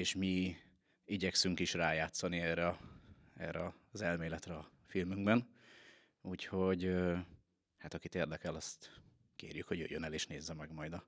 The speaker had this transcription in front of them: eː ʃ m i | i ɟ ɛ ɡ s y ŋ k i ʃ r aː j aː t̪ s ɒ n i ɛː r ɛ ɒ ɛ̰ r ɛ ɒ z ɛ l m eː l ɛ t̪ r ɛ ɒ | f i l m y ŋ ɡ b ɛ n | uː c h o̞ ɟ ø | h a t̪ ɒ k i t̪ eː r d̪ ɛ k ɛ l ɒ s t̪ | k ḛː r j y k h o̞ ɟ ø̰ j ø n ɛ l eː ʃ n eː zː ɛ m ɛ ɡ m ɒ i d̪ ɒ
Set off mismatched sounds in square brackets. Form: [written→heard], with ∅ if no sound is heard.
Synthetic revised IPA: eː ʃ m i | i ɟ ɛ [ɡ→k] s y ŋ k i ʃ r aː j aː t̪ s ɒ n i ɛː r ɛ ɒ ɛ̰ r ɛ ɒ z ɛ l m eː l ɛ t̪ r ɛ ɒ | f i l m y ŋ ɡ b ɛ n | uː c h o̞ ɟ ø | h a t̪ ɒ k i t̪ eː r d̪ ɛ k ɛ l ɒ s t̪ | k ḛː r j y k h o̞ ɟ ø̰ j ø n ɛ l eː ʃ n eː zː ɛ m ɛ ɡ m ɒ [i→j] d̪ ɒ